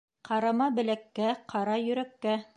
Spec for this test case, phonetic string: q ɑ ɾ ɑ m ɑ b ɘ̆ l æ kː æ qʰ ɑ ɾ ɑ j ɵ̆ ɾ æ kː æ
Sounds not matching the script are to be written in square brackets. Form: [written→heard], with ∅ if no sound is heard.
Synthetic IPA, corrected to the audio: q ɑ ɾ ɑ m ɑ b ɘ̆ l æ kː æ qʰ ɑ ɾ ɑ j ɵ̆ ɾ æ kː æ